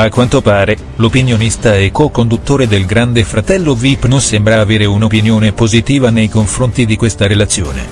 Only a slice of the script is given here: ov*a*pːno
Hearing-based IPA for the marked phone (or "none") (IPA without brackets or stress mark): i